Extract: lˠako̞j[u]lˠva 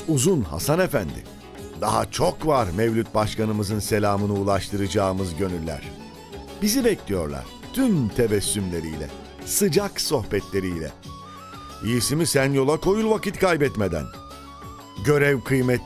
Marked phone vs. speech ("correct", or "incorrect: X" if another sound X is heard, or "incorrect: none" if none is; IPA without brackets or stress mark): correct